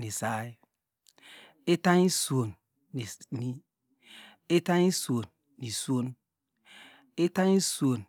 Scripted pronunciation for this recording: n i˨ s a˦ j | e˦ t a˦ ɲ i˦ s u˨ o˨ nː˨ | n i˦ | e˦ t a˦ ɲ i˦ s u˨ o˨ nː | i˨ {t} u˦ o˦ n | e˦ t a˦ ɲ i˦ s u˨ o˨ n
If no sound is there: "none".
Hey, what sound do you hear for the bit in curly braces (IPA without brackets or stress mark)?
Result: s